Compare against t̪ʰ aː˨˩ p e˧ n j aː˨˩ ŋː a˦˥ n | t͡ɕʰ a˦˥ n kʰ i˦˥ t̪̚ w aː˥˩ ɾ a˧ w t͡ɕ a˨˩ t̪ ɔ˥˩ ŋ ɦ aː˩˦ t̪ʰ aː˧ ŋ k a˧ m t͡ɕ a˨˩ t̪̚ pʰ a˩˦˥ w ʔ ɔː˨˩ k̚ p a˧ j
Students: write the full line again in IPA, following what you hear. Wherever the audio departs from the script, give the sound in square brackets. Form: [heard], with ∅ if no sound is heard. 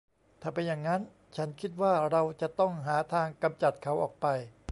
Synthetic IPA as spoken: t̪ʰ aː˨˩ p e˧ n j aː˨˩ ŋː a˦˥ n | t͡ɕʰ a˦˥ n kʰ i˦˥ t̪̚ w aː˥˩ ɾ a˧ w t͡ɕ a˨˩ t̪ ɔ˥˩ ŋ ɦ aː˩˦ t̪ʰ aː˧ ŋ k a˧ m t͡ɕ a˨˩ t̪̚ [kʰ] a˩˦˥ w ʔ ɔː˨˩ k̚ p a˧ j